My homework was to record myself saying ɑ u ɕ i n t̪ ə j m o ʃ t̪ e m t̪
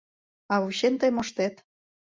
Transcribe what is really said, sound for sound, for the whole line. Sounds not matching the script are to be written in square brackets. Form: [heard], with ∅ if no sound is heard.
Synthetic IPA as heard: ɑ u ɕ [e] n t̪ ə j m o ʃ t̪ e [∅] t̪